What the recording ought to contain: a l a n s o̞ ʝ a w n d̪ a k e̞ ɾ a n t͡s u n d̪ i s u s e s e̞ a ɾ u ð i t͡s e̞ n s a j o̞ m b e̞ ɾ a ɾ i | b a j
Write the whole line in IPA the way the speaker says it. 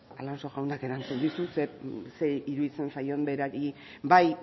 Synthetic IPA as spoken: a l a n s o̞ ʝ a w n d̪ a k e̞ ɾ a n t͡s u n d̪ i s u s e s e̞ i ɾ u ð i t͡s e̞ n s a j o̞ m b e̞ ɾ a ɾ i | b a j

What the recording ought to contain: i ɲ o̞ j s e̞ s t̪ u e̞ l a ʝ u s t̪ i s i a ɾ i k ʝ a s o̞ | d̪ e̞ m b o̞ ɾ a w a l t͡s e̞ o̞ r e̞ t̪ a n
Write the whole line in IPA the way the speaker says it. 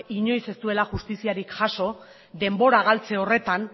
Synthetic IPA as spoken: i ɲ o̞ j s e̞ s t̪ u e̞ l a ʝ u s t̪ i s i a ɾ i k ʝ a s o̞ | d̪ e̞ m b o̞ ɾ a ɣ a l t͡s e̞ o̞ r e̞ t̪ a n

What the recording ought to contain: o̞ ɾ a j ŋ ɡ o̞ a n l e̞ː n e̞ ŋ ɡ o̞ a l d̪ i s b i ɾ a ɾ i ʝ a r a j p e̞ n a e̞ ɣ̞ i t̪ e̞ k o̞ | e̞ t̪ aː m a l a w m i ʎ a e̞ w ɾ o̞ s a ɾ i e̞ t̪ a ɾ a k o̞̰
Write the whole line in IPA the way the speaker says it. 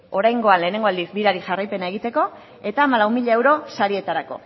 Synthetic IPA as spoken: o̞ ɾ a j ŋ ɡ o̞ a n l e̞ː n e̞ ŋ ɡ o̞ a l d̪ i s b i ɾ a ɾ i ʝ a r a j p e̞ n a e̞ ɣ̞ i t̪ e̞ k o̞ | e̞ t̪ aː m a l a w m i ʎ a e̞ w ɾ o̞ s a ɾ i e̞ t̪ a ɾ a k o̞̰

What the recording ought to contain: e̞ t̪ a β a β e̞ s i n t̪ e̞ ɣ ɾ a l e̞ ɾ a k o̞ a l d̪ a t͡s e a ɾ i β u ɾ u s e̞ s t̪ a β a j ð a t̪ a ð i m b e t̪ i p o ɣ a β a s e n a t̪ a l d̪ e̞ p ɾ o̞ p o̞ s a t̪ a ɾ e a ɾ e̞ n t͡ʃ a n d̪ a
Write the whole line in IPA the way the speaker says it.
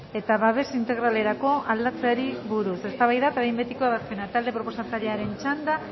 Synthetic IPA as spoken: e̞ t̪ a β a β e̞ s i n t̪ e̞ ɣ ɾ a l e̞ ɾ a k o̞ a l d̪ a t͡s e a ɾ i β u ɾ u s e̞ s t̪ a β a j ð a t̪ a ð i m b e t̪ i k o a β a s e n a t̪ a l d̪ e̞ p ɾ o̞ p o̞ s a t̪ a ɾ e a ɾ e̞ n t͡ʃ a n d̪ a

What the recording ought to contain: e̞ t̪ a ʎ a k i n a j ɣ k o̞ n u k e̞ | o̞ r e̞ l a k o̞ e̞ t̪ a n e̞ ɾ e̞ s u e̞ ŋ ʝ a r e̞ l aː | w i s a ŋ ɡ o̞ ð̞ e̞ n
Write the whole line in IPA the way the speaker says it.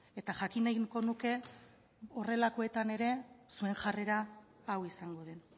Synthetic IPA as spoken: e̞ t̪ a ʝ a k i n a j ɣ k o̞ n u k e̞ | o̞ r e̞ l a k o̞ e̞ t̪ a n e̞ ɾ e̞ s u e̞ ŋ ʝ a r e̞ ɾ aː | w i s a ŋ ɡ o̞ ð̞ e̞ n

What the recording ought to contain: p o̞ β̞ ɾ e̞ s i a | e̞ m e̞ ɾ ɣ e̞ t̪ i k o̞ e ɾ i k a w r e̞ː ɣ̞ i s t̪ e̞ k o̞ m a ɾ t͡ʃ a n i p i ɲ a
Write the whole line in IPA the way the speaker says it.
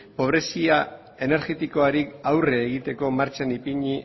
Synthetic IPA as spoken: p o̞ β̞ ɾ e̞ s i a | e̞ n e̞ ɾ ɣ e̞ t̪ i k o̞ a ɾ i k a w r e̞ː ɣ̞ i t̪ e̞ k o̞ m a ɾ t͡ʃ a n i p i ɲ i

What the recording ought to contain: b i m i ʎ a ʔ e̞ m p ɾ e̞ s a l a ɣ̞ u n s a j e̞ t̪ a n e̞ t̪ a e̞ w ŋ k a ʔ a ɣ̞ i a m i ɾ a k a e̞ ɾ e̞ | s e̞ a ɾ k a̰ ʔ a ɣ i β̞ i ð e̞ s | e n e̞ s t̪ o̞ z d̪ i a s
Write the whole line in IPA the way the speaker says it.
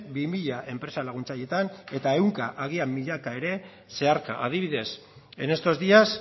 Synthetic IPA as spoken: b i m i ʎ a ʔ e̞ m p ɾ e̞ s a l a ɣ̞ u n t͡s a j e̞ t̪ a n e̞ t̪ a e̞ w ŋ k a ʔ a ɣ̞ i a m i ʎ a k a e̞ ɾ e̞ | s e̞ a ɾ k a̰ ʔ a ð i β̞ i ð e̞ s | e n e̞ s t̪ o̞ z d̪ i a s

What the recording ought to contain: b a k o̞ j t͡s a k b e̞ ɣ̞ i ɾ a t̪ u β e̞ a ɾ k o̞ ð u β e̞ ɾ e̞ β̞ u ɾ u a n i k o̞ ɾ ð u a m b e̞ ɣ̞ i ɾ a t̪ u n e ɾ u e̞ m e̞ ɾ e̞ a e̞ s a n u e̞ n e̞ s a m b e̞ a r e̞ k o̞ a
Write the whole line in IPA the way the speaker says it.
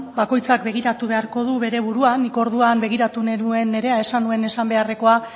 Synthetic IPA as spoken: b a k o̞ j t͡s a k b e̞ ɣ̞ i ɾ a t̪ u β e̞ a ɾ k o̞ ð u β e̞ ɾ e̞ β̞ u ɾ u a n i k o̞ ɾ ð u a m b e̞ ɣ̞ i ɾ a t̪ u n e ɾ u e̞ n e̞ ɾ e̞ a e̞ s a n u e̞ n e̞ s a m b e̞ a r e̞ k o̞ a

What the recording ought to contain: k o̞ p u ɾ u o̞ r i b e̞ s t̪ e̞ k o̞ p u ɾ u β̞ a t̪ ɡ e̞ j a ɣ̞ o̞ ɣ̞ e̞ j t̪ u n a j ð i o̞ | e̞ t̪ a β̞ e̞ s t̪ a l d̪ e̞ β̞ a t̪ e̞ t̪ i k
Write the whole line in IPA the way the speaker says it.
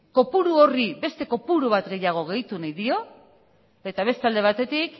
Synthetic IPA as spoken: k o̞ p u ɾ u o̞ r i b e̞ s t̪ e̞ k o̞ p u ɾ u β̞ a t̪ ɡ e̞ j a ɣ̞ o̞ ɣ̞ e̞ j t̪ u n a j ð i o̞ | e̞ t̪ a β̞ e̞ s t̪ a l d̪ e̞ β̞ a t̪ e̞ t̪ i k

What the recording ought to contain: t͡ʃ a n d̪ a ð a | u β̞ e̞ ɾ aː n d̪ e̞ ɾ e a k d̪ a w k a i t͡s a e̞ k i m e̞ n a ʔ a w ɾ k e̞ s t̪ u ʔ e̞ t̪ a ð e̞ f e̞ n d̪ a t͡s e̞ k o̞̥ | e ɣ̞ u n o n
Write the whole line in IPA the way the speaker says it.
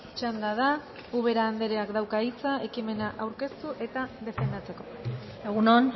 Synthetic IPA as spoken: t͡ʃ a n d̪ a ð a | u β̞ e̞ ɾ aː n d̪ e̞ ɾ e a k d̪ a w k a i t͡s a e̞ k i m e̞ n a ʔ a w ɾ k e̞ s t̪ u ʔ e̞ t̪ a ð e̞ f e̞ n d̪ a t͡s e̞ k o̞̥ | e ɣ̞ u n o n

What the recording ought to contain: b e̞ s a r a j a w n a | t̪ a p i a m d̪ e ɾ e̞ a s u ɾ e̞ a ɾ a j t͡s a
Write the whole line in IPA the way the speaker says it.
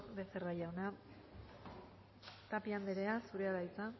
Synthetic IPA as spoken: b e̞ s e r a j a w n a | t̪ a p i a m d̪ e ɾ e̞ a s u ɾ e̞ a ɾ a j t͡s a

